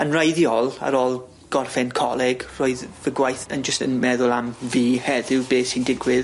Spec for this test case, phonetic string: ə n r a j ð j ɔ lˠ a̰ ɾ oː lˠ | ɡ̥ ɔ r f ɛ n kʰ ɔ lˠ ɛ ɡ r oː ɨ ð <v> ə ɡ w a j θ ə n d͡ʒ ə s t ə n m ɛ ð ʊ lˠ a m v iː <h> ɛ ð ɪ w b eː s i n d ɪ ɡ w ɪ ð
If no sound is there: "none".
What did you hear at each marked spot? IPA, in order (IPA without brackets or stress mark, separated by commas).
v, h